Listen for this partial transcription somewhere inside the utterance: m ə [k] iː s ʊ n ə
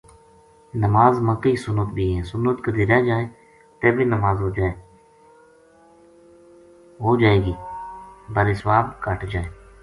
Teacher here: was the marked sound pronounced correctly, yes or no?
yes